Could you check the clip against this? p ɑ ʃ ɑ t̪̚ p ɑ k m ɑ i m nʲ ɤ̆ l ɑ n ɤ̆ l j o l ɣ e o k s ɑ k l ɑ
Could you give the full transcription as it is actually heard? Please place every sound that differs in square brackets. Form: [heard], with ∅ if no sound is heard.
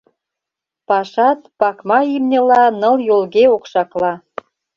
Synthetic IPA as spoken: p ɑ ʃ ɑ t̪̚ p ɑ k m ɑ i m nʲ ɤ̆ l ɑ n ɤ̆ l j o l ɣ e o k [ʃ] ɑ k l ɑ